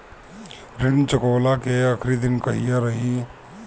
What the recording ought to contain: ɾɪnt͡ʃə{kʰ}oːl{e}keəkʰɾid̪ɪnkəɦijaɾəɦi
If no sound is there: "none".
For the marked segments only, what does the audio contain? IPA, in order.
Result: k, a

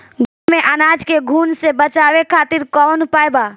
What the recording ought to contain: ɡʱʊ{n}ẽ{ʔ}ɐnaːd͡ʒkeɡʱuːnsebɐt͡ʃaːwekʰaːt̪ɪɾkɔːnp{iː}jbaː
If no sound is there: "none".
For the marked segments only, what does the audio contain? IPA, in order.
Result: m, ʔ, aː

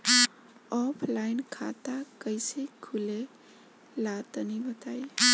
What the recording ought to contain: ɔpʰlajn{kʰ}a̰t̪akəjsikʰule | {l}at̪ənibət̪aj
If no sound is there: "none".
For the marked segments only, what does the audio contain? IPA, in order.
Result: kʰ, l

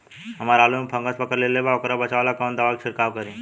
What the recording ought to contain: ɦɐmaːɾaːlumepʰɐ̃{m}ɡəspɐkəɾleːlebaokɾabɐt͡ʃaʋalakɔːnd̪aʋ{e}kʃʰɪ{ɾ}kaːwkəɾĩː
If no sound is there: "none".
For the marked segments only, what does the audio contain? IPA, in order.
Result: ŋ, a, ɾ

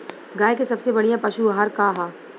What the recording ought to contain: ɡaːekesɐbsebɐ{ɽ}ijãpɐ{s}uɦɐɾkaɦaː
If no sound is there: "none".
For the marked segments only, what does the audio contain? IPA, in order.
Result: ɽ, ʃ

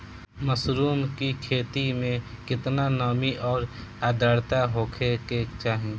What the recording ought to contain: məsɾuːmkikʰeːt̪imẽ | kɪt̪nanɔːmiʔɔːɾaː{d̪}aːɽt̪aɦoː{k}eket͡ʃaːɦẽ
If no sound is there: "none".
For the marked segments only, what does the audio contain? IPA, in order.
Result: d̪, kʰ

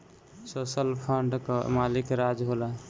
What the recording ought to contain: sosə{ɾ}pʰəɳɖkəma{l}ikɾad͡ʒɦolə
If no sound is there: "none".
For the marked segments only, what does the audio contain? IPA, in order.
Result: l, l

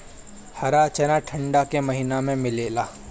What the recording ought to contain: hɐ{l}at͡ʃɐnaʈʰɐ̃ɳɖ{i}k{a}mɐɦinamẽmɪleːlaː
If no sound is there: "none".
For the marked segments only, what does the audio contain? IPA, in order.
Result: ɾ, a, e

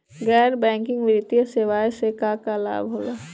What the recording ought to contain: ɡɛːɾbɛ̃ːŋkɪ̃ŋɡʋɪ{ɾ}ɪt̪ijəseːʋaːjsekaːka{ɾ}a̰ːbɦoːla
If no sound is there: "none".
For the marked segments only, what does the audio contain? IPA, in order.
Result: ɾ, l

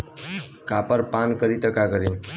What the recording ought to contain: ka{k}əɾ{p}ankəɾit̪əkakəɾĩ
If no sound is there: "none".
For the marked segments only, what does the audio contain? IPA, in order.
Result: p, p

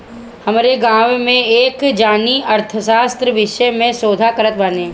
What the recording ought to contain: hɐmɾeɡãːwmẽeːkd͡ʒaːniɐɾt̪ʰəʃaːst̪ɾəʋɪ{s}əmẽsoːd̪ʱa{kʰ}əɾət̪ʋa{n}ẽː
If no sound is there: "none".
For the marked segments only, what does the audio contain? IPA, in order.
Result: ʃ, k, n

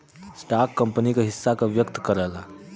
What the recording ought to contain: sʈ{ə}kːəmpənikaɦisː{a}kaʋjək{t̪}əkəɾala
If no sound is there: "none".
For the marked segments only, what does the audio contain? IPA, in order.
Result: a, a, t̪

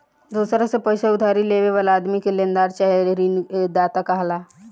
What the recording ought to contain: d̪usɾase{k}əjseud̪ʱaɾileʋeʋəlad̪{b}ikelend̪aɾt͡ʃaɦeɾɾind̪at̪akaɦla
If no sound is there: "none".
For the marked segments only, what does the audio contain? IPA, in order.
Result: p, m

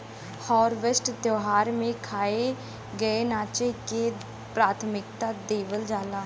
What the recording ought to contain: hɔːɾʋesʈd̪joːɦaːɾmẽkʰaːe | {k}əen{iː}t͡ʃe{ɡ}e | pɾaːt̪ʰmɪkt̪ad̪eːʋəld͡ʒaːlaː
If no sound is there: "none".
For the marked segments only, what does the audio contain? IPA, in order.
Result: ɡ, aː, k

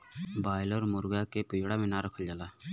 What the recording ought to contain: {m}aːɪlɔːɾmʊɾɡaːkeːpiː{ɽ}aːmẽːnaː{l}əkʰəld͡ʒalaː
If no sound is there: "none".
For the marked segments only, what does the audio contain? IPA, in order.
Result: b, ɽ, ɾ

